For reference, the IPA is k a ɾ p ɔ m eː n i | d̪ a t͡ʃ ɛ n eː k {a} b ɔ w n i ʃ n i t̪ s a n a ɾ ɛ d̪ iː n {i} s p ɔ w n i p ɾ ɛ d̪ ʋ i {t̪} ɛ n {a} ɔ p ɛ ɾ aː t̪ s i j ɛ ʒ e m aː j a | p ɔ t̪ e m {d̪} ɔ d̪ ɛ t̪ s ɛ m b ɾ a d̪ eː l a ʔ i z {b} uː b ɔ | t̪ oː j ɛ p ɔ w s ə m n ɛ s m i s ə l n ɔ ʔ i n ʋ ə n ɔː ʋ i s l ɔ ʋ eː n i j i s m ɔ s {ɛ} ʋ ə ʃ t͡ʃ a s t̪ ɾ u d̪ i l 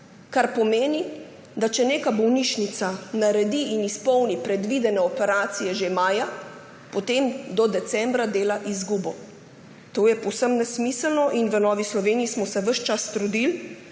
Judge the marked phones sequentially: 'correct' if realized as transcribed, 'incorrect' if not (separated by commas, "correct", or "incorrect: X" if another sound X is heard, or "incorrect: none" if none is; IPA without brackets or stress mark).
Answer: correct, correct, incorrect: d̪, incorrect: ɛ, correct, incorrect: ɡ, correct